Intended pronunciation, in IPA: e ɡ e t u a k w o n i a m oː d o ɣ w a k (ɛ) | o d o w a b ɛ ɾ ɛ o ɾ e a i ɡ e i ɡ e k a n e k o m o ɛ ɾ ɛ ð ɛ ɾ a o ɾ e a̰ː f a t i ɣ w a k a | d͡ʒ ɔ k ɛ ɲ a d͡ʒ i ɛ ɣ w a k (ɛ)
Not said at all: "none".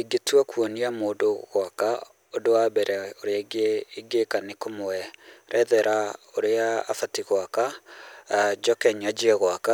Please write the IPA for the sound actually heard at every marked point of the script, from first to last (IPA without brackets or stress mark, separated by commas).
a, a